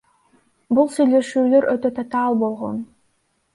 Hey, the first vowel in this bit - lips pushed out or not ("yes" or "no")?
yes